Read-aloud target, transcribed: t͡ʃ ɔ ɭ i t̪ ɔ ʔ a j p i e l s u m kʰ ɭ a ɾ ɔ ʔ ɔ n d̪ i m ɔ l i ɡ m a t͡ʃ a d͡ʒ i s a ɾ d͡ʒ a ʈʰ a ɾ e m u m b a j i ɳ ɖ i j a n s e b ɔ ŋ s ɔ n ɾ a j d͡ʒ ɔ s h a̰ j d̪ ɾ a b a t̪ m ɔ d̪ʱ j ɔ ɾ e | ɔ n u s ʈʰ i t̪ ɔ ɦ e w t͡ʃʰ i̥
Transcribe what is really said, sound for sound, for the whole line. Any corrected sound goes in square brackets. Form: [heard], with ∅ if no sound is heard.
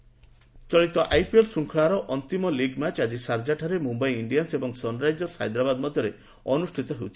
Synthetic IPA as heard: t͡ʃ ɔ ɭ i t̪ ɔ ʔ a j p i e l s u [ŋ] kʰ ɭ a ɾ ɔ ʔ ɔ n [t̪] i m ɔ l i ɡ m a t͡ʃ a d͡ʒ i s a ɾ d͡ʒ a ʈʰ a ɾ e m u m b a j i ɳ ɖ i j a n s e b ɔ ŋ s ɔ n ɾ a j d͡ʒ ɔ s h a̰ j d̪ ɾ a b a [d̪] m ɔ d̪ʱ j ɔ ɾ e | ɔ n u s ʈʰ i t̪ ɔ ɦ e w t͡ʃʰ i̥